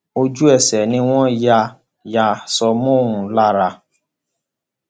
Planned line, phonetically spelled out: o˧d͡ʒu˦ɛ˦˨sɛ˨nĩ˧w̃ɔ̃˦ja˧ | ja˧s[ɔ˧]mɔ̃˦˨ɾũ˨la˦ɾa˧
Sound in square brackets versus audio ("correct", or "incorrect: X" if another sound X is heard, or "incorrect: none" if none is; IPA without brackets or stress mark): correct